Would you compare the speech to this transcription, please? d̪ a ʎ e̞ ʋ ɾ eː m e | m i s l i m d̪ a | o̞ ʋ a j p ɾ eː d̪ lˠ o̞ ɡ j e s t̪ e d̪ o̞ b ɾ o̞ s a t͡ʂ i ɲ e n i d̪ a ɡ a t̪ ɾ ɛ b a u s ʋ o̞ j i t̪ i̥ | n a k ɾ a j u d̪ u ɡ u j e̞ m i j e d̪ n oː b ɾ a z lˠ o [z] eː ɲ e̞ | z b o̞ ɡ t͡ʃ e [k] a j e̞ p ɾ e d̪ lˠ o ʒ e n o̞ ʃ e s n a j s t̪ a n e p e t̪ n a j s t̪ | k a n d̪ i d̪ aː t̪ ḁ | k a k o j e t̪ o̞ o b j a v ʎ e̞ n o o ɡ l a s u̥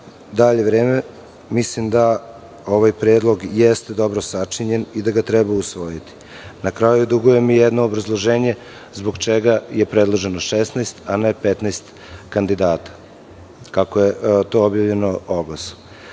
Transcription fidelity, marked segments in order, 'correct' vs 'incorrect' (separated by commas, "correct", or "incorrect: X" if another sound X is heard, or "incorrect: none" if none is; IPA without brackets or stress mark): incorrect: ʒ, incorrect: ɡ